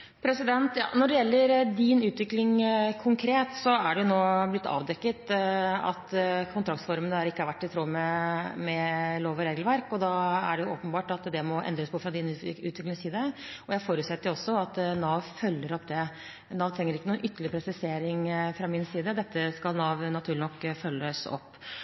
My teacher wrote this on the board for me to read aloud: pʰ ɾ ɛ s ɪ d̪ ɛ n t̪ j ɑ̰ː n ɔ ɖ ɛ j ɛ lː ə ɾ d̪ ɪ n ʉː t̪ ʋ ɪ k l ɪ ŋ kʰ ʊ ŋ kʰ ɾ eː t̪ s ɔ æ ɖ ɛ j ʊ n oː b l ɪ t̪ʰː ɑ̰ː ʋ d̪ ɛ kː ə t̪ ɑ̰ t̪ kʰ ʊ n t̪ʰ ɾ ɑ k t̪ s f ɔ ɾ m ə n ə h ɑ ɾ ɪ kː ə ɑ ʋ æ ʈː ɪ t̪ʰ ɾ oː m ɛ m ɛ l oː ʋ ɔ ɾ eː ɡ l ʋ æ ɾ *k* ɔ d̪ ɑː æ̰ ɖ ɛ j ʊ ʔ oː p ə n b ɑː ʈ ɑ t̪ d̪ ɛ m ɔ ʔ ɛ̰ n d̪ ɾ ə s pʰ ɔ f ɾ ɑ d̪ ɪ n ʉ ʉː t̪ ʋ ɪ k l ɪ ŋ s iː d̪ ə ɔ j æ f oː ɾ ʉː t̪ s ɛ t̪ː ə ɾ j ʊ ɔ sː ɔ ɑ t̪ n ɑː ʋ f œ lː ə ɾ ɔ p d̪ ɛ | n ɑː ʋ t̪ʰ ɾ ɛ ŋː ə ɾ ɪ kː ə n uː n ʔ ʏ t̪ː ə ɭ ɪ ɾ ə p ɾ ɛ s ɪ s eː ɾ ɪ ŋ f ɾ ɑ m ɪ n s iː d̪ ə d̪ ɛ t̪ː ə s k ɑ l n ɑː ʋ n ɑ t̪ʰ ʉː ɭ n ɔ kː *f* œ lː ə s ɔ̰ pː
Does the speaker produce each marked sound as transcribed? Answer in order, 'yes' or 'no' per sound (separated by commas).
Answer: yes, yes